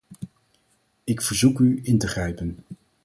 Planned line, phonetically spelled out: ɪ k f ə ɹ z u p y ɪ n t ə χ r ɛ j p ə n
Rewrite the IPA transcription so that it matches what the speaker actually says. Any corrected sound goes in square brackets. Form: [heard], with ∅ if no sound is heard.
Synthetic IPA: ɪ k f ə ɹ z u [k] y ɪ n t ə χ r ɛ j p ə n

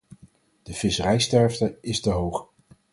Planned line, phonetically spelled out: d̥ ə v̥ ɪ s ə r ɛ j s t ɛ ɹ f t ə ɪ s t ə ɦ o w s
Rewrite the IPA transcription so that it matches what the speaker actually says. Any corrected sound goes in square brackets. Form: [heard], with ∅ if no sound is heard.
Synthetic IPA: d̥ ə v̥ ɪ s ə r ɛ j s t ɛ ɹ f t ə ɪ s t ə ɦ o w [χ]

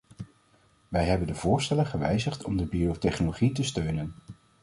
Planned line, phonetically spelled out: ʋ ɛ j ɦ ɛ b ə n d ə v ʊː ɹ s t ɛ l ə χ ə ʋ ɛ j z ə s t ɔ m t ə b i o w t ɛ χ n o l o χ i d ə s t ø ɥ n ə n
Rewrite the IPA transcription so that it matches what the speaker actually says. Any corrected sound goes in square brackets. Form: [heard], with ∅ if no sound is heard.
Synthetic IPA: ʋ ɛ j ɦ ɛ b ə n d ə v ʊː ɹ s t ɛ l ə χ ə ʋ ɛ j z ə [χ] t ɔ m [d] ə b i o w t ɛ χ n o l o χ i [t] ə s t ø ɥ n ə n

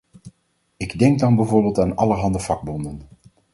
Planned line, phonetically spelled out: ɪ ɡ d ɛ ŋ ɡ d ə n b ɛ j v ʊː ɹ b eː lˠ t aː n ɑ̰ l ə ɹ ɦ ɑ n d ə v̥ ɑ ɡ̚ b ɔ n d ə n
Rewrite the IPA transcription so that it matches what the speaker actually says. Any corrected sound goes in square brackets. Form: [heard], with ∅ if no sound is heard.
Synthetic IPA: ɪ ɡ d ɛ ŋ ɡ d [ɑ] n b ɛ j v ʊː ɹ b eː lˠ t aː n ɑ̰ l ə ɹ ɦ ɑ n d ə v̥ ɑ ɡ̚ b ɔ n d ə n

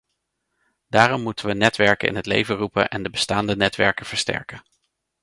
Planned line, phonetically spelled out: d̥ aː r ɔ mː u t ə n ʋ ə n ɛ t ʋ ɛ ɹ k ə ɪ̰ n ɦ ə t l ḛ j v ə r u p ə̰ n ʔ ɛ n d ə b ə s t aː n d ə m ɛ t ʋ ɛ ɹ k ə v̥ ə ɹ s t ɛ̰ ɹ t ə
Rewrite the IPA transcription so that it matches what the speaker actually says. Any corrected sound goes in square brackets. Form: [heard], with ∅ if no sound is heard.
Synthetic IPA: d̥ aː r ɔ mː u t ə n ʋ ə n ɛ t ʋ ɛ ɹ k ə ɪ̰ n ɦ ə t l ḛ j v ə r u p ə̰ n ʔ ɛ n d ə b ə s t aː n d ə [n] ɛ t ʋ ɛ ɹ k ə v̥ ə ɹ s t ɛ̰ ɹ [k] ə

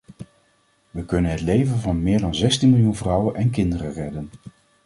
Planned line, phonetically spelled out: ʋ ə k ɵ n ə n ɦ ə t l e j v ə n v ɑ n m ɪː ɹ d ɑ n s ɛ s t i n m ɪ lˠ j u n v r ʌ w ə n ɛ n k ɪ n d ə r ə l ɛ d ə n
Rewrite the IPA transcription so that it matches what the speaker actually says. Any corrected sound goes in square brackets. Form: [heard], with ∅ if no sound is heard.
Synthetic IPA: ʋ ə k ɵ n ə n ɦ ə t l e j v ə n v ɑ n m ɪː ɹ d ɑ n [z] ɛ s t i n m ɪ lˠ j u n v r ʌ w ə n ɛ n k ɪ n d ə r ə [r] ɛ d ə n

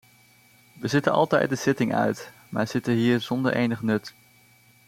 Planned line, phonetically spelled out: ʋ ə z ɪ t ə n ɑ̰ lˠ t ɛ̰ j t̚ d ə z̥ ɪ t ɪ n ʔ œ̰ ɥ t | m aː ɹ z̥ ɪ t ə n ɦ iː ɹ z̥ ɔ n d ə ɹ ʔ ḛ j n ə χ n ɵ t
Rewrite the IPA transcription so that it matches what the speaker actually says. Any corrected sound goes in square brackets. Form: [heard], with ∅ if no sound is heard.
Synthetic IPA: ʋ ə z ɪ t ə n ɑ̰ lˠ t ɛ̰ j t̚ d ə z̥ ɪ t ɪ [ŋ] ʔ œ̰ ɥ t | m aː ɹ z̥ ɪ t ə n ɦ iː ɹ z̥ ɔ n d ə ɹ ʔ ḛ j n ə χ n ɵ t

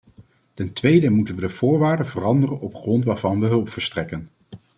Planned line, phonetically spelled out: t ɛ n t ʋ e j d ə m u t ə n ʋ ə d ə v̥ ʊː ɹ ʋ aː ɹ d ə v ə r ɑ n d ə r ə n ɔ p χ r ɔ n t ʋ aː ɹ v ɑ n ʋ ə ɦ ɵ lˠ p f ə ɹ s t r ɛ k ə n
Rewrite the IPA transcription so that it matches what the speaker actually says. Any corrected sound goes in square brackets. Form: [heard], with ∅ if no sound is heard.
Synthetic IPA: t ɛ n t ʋ e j d ə m u t ə n ʋ ə d ə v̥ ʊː ɹ ʋ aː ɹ d ə v ə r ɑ n d ə r ə n ɔ p χ r ɔ n t ʋ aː ɹ v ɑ n ʋ ə ɦ ɵ lˠ p f ə ɹ s t r ɛ k ə n

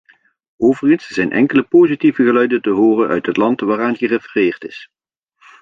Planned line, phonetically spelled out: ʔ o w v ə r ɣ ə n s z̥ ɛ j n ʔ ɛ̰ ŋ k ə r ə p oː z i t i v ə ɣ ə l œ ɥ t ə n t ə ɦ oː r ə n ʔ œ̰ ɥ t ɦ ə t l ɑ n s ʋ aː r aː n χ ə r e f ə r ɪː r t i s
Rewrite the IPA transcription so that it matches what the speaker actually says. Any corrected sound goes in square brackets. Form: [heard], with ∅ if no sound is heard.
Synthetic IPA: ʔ o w v ə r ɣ ə n s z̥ ɛ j n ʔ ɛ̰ ŋ k ə [l] ə p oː z i t i v ə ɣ ə l œ ɥ [d] ə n t ə ɦ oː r ə n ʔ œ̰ ɥ t ɦ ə t l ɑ n [t] ʋ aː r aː n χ ə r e f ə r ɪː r t [ɪ] s

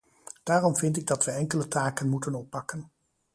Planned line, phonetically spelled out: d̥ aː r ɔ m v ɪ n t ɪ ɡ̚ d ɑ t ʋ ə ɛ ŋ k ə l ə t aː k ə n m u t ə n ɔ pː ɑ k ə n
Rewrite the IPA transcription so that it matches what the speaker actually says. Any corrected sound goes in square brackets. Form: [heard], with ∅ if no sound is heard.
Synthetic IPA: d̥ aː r ɔ m v ɪ n t ɪ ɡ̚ d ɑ t ʋ ə ɛ ŋ k ə l ə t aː k ə n m u t ə n ɔ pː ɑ k ə n

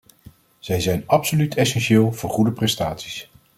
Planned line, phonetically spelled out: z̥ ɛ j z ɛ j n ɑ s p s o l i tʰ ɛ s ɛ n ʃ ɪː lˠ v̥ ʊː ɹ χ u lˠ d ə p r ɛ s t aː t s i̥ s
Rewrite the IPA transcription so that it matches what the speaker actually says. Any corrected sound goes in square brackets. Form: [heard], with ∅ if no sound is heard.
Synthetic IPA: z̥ ɛ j z ɛ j n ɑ [∅] p s o l [y] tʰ ɛ s ɛ n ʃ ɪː lˠ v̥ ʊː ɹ χ u [∅] d ə p r ɛ s t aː t s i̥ s

